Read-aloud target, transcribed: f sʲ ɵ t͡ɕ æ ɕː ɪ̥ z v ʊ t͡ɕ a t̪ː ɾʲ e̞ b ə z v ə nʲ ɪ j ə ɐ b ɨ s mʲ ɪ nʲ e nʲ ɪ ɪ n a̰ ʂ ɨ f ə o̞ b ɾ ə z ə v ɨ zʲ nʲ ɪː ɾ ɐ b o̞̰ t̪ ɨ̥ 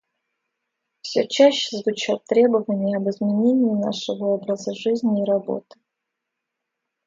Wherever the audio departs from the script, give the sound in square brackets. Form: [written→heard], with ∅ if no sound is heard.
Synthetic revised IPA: f sʲ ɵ t͡ɕ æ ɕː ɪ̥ z v ʊ t͡ɕ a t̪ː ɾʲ e̞ b ə [z→∅] v ə nʲ ɪ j ə ɐ b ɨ [s→z] mʲ ɪ nʲ e nʲ ɪ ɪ n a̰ ʂ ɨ [f→v] ə o̞ b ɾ ə z ə [v→ʐ] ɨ zʲ nʲ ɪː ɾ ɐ b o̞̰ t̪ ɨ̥